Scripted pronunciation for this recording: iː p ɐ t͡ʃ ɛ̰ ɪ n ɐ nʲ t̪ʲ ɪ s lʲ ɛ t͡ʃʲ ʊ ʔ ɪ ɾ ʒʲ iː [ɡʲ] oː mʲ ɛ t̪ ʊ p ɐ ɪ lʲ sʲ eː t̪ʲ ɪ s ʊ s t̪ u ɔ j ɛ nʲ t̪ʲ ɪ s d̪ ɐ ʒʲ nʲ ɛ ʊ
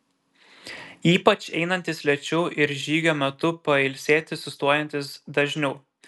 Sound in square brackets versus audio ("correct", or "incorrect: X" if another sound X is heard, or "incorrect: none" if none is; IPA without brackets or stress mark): correct